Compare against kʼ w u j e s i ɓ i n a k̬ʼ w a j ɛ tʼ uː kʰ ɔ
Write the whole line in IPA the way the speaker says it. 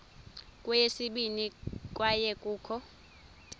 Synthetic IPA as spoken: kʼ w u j e s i ɓ i n i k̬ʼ w a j ɛ kʼ uː kʰ ɔ